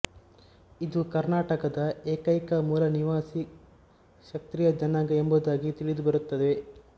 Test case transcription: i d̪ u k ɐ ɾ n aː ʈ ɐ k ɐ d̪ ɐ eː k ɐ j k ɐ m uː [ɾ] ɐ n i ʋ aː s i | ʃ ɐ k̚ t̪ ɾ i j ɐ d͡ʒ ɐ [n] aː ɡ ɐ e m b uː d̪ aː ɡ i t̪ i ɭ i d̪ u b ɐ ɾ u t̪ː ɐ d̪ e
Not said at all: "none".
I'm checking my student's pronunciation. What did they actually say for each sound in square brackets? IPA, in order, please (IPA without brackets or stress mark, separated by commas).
l, n